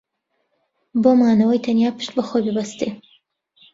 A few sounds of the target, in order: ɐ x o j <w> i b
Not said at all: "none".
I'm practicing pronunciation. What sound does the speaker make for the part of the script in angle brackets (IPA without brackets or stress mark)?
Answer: b